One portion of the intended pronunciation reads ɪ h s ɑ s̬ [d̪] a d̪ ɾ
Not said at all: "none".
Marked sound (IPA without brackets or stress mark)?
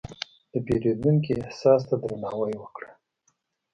t̪